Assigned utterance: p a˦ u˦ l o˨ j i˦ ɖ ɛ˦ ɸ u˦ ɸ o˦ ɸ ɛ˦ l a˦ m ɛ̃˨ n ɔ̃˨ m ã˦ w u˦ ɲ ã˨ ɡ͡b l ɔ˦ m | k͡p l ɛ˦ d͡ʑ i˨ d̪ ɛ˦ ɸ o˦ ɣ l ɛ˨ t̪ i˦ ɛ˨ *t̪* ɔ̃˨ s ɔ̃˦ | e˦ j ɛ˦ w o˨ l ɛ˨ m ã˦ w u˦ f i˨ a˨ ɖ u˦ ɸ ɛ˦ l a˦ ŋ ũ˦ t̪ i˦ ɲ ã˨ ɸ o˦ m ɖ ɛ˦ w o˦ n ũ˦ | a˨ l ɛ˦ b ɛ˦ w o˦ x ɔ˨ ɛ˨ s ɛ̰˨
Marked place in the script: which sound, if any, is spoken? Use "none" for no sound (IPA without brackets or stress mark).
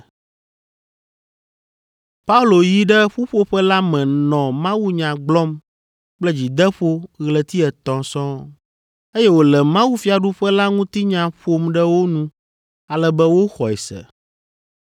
t̪